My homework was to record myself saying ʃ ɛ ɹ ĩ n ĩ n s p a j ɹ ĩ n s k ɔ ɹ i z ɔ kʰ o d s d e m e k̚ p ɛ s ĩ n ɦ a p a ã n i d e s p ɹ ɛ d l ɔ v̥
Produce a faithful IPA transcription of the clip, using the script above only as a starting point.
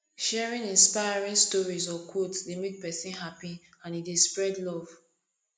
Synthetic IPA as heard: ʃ ɛ ɹ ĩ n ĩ n s p a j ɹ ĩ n s t ɔ ɹ i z ɔ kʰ o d s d e m e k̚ p ɛ s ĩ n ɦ a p i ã n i d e s p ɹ ɛ d l ɔ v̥